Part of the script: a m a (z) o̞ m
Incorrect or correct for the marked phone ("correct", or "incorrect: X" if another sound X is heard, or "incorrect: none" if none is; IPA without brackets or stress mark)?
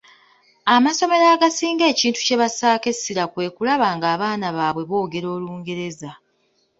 incorrect: s